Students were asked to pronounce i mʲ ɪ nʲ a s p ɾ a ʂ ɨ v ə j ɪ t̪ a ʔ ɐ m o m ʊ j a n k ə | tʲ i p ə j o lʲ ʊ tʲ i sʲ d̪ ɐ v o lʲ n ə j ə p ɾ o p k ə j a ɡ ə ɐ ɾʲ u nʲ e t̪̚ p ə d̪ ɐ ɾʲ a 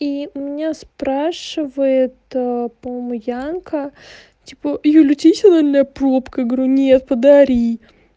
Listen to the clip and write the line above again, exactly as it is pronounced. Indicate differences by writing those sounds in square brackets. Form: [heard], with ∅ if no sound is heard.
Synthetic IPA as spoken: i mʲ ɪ nʲ a s p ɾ a ʂ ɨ v ə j ɪ t̪ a [p] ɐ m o m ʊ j a n k ə | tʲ i p ə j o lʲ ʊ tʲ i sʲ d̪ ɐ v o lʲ n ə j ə p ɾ o p k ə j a ɡ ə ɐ ɾʲ u nʲ e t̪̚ p ə d̪ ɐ ɾʲ [i]